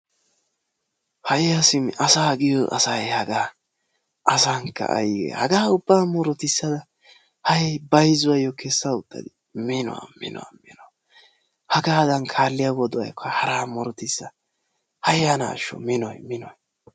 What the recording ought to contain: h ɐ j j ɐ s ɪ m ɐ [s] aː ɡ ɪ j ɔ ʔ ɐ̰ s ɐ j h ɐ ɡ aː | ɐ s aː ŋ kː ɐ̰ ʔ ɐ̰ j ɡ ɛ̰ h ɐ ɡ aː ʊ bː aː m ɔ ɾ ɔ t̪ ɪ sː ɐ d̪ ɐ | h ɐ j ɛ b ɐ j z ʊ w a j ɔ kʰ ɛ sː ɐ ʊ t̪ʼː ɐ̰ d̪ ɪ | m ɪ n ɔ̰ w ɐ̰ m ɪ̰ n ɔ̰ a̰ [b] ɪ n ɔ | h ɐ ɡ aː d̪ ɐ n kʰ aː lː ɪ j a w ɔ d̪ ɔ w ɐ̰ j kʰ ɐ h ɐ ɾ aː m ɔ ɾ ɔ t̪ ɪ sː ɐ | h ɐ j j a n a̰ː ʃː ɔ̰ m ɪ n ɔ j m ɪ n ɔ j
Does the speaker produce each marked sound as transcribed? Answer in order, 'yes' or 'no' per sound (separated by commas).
yes, no